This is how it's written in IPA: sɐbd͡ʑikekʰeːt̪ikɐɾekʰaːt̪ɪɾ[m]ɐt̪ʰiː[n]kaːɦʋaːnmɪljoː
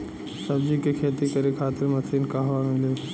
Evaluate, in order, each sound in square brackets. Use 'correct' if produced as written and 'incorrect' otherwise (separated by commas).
correct, correct